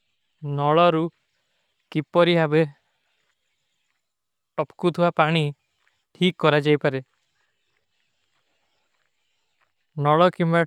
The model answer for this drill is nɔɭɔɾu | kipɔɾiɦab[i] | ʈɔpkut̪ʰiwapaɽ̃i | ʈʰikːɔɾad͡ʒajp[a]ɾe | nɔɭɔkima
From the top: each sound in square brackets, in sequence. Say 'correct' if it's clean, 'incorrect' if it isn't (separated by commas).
incorrect, correct